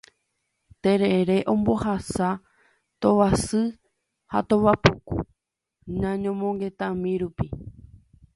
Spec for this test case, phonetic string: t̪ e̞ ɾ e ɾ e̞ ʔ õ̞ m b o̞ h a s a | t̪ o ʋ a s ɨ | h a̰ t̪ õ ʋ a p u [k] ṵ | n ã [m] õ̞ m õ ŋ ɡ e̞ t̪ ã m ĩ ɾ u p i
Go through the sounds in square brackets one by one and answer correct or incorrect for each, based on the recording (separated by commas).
correct, incorrect